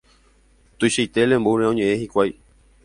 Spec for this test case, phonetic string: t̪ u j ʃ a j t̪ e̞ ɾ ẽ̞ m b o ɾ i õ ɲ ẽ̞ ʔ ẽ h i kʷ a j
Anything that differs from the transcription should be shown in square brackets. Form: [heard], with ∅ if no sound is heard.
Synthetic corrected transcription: t̪ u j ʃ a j t̪ e̞ [l] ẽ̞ m b [u] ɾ [e] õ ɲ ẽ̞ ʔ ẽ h i kʷ a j